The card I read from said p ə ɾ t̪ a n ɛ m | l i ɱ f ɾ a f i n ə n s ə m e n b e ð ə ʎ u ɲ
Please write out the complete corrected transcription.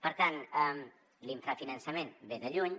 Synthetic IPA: p ə ɾ t̪ a n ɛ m | l i ɱ f ɾ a f i n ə n s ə m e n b e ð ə ʎ u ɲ